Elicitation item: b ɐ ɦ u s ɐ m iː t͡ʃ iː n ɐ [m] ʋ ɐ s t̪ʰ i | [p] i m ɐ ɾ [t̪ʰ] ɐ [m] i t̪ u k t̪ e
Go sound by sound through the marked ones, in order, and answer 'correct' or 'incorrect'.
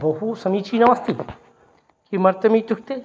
incorrect, incorrect, incorrect, correct

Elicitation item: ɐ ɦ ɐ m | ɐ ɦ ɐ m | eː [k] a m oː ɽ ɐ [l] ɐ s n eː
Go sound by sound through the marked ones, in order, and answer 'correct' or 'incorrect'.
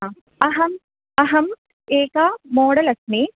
correct, correct

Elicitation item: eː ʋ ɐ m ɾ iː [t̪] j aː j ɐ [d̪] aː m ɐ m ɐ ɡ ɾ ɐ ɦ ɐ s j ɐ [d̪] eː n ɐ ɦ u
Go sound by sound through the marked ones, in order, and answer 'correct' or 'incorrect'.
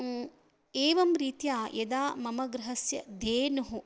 correct, correct, correct

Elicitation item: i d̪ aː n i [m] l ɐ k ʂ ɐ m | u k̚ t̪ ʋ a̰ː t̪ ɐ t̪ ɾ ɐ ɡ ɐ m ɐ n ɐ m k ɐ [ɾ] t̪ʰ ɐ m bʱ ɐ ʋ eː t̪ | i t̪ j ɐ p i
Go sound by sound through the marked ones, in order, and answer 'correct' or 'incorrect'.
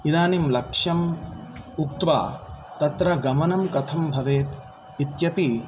correct, incorrect

